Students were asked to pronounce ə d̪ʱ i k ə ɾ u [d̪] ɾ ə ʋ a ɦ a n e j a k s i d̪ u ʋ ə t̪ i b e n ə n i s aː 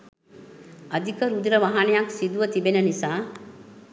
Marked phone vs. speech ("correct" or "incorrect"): correct